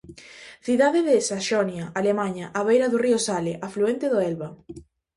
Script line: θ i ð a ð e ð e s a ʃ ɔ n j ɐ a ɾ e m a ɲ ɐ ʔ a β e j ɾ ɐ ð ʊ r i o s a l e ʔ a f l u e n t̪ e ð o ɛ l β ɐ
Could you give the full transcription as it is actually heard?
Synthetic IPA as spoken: θ i ð a ð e ð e s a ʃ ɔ n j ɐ a l e m a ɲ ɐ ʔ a β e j ɾ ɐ ð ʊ r i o s a l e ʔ a f l u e n t̪ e ð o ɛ l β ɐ